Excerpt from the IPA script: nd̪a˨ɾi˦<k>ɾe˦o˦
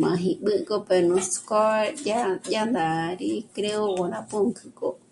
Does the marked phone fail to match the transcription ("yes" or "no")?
no